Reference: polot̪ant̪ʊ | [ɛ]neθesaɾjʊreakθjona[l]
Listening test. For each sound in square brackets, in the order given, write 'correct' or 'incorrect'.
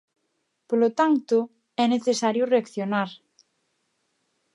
correct, incorrect

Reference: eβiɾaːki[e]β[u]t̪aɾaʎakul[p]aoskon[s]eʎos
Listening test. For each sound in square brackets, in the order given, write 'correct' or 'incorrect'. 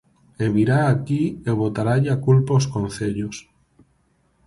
correct, incorrect, correct, incorrect

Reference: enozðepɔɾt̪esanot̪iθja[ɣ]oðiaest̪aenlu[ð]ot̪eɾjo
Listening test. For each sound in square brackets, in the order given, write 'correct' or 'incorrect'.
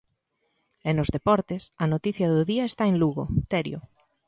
incorrect, incorrect

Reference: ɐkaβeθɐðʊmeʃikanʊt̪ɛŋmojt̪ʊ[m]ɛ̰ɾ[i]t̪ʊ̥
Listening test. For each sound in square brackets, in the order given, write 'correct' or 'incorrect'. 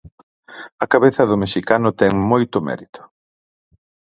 correct, correct

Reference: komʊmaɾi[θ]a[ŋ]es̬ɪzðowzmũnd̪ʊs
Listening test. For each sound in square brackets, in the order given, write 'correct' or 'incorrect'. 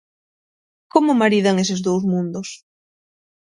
incorrect, correct

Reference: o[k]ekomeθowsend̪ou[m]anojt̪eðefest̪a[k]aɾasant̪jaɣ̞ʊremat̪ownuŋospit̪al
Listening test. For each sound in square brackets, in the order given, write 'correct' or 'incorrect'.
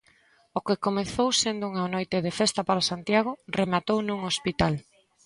correct, incorrect, incorrect

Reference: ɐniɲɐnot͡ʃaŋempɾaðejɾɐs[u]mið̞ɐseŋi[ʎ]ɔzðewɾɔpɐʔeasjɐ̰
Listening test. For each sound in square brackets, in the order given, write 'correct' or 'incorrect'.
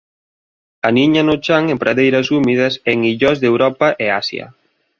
correct, correct

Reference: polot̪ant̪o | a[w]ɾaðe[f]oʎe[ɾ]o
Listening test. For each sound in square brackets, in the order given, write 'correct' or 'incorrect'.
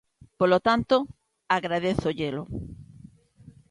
incorrect, incorrect, incorrect

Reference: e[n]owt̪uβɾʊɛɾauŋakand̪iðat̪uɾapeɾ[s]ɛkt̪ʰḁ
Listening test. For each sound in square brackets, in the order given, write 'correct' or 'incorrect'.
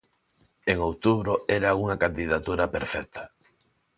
incorrect, incorrect

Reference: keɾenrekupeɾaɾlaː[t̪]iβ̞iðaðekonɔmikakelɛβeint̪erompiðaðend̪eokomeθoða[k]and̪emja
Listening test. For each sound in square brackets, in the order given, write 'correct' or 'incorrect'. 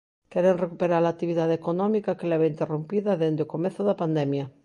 correct, incorrect

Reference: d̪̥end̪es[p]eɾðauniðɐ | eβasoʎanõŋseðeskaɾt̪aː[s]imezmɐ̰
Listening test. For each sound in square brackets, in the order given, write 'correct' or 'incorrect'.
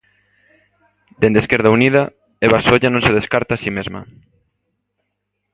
incorrect, correct

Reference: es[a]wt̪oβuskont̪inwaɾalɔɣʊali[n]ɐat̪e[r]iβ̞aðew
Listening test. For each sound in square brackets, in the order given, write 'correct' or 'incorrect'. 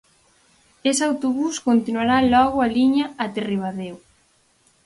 correct, incorrect, correct

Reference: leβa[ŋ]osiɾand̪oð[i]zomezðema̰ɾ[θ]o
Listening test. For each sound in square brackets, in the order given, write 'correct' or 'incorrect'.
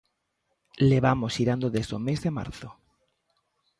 incorrect, incorrect, correct

